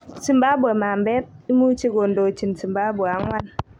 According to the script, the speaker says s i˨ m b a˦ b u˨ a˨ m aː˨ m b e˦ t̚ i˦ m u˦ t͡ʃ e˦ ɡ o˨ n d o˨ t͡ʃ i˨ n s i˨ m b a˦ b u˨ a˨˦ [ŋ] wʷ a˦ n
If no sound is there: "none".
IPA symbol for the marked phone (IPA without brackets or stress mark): ŋ